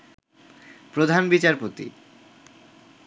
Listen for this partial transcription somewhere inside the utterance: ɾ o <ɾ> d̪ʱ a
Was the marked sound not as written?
yes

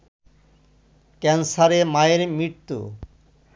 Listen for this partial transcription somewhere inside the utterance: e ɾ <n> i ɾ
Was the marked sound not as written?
yes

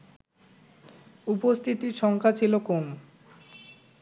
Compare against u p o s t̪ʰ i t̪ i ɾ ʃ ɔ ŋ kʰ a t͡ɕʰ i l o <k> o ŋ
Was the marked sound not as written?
no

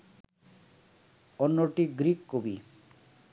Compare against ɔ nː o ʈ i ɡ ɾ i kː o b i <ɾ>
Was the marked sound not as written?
yes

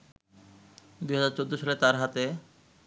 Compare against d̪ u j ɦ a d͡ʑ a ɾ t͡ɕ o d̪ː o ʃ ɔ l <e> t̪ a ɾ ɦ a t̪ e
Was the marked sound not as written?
no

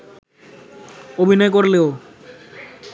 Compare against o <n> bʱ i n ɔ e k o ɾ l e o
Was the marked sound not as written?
yes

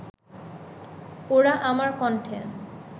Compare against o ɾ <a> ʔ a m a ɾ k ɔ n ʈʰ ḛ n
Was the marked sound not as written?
no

